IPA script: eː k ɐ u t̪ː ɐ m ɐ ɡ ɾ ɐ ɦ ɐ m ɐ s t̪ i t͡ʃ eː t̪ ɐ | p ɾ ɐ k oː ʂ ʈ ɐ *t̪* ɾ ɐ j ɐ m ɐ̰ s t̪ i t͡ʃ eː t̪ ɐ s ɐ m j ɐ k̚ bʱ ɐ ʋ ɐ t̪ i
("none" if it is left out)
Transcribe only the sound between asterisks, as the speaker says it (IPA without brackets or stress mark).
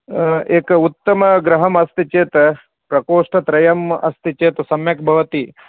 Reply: t̪